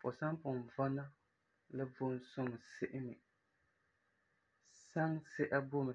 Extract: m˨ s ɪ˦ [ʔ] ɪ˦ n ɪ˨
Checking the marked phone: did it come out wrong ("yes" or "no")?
no